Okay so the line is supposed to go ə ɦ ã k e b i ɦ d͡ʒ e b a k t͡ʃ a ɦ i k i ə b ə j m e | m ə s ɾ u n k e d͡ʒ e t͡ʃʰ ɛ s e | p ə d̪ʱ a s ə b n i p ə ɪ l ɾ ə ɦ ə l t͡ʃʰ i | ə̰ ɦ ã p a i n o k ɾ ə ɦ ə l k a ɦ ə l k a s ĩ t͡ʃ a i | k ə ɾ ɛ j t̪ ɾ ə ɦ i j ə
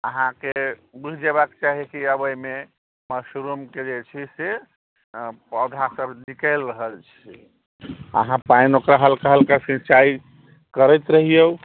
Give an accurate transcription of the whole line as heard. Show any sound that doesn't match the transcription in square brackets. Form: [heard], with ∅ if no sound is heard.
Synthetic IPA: ə ɦ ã k e b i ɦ d͡ʒ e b a k t͡ʃ a ɦ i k i ə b ə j m e | m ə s ɾ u [m] k e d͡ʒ e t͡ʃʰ [i] s e | p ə d̪ʱ a s ə b n i [k] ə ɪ l ɾ ə ɦ ə l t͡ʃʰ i | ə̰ ɦ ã p a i n o k ɾ [a] ɦ ə l k a ɦ ə l k a s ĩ t͡ʃ a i | k ə ɾ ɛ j t̪ ɾ ə ɦ i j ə